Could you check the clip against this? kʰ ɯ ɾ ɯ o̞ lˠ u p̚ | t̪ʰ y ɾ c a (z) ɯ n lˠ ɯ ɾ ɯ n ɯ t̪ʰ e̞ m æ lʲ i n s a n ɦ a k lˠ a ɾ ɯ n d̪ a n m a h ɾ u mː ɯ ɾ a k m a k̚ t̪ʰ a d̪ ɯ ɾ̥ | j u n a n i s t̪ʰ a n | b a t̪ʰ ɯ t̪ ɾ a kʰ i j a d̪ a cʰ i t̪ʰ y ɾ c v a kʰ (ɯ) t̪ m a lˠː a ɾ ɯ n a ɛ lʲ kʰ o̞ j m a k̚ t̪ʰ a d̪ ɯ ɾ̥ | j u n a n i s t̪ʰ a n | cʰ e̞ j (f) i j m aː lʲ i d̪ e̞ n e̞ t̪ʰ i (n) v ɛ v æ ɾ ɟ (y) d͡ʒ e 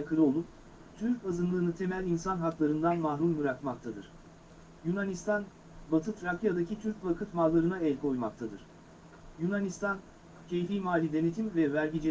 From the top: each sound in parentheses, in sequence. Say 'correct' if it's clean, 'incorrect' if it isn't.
correct, correct, correct, incorrect, incorrect

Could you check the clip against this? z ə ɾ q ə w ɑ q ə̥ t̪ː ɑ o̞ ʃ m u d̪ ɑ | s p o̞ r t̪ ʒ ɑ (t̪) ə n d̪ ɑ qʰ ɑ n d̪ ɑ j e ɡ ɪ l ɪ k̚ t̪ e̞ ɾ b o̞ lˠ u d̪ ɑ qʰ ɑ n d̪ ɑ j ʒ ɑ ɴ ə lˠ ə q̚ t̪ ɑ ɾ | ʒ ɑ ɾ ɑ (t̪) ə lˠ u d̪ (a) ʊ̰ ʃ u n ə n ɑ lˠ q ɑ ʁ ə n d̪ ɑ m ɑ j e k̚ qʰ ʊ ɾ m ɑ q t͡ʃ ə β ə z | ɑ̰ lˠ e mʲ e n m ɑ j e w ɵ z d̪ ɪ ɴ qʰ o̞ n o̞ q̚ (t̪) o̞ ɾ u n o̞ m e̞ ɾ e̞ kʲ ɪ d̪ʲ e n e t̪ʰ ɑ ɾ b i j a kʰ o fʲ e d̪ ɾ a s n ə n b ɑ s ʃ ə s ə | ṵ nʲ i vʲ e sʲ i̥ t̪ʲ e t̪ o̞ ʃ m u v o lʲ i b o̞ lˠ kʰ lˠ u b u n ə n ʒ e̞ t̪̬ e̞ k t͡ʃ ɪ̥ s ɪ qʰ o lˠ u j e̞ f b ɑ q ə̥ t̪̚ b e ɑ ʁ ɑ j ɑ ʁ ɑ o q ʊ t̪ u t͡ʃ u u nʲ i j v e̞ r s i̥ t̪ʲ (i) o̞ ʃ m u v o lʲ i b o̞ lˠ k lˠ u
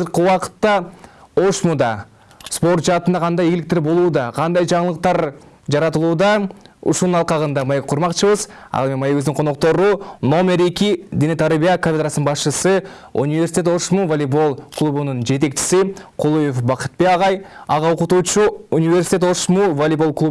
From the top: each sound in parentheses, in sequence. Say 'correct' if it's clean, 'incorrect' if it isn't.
correct, correct, incorrect, correct, incorrect

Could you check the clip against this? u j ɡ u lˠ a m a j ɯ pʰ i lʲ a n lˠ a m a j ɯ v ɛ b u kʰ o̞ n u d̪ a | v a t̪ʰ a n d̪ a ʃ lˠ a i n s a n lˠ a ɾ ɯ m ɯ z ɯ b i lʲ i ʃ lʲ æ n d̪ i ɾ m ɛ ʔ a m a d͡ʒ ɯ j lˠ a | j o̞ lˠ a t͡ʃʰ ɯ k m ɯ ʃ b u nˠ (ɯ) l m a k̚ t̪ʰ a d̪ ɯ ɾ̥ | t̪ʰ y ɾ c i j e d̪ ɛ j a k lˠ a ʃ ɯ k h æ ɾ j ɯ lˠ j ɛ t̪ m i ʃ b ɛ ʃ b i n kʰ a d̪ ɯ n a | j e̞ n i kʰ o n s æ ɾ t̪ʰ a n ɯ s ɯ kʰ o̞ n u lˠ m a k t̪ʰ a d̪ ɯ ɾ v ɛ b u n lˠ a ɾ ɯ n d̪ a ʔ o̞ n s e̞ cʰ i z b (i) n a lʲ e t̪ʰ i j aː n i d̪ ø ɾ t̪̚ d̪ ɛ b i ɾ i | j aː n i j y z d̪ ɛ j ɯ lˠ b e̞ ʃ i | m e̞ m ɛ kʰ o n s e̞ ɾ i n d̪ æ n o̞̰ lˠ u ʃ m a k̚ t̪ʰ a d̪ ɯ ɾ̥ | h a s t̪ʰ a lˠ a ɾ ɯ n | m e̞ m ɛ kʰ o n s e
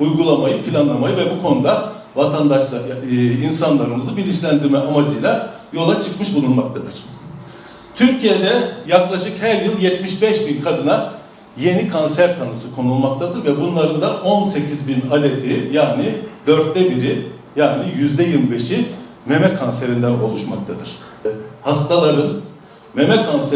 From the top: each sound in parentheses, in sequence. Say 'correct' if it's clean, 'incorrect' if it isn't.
incorrect, correct

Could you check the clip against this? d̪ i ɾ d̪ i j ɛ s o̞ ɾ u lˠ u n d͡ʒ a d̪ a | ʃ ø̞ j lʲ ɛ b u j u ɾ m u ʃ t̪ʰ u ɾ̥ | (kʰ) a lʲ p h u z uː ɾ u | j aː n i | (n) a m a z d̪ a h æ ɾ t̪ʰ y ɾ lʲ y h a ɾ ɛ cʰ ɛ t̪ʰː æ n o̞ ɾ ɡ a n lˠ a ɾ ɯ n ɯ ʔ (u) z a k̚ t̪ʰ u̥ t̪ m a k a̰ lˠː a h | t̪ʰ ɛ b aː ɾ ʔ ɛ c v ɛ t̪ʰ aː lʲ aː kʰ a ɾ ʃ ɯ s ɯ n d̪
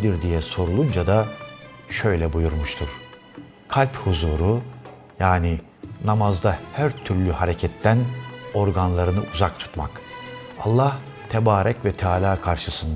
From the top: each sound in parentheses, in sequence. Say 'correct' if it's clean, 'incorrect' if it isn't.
correct, correct, correct

